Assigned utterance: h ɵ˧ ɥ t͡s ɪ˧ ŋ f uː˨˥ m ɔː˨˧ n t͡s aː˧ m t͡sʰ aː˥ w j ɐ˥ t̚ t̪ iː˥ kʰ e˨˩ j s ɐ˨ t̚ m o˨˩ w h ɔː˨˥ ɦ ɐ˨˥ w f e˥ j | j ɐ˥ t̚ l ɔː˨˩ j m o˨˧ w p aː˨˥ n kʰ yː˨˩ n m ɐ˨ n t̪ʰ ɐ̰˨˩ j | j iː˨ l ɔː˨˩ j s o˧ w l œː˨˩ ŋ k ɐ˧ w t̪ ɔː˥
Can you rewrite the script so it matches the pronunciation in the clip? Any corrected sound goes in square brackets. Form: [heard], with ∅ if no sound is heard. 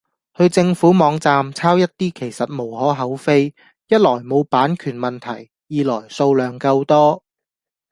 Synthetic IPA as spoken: h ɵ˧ ɥ t͡s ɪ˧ ŋ f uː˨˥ m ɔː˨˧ [ŋ] t͡s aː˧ m t͡sʰ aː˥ w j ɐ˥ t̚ t̪ iː˥ kʰ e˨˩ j s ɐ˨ t̚ m o˨˩ w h ɔː˨˥ ɦ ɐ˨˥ w f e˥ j | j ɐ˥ t̚ l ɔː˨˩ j m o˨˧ w p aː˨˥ n kʰ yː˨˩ n m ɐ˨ n t̪ʰ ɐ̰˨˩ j | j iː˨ l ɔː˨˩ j s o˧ w l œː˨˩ ŋ k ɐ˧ w t̪ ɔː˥